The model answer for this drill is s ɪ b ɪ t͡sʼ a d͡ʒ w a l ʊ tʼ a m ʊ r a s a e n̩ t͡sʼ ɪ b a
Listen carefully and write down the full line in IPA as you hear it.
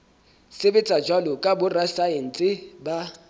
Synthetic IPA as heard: s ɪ b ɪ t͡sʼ a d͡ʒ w a l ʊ kʼ a b ʊ r a s a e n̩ t͡sʼ ɪ b a